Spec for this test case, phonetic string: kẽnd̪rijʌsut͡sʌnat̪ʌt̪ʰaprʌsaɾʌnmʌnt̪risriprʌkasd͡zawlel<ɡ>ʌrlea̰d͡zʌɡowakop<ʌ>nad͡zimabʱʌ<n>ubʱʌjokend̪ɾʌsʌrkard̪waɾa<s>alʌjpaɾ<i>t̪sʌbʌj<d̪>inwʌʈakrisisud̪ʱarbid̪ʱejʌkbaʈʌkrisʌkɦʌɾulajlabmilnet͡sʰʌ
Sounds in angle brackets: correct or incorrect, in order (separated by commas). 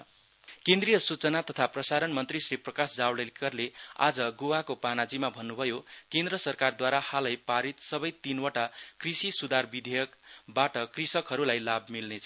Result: incorrect, incorrect, incorrect, incorrect, correct, incorrect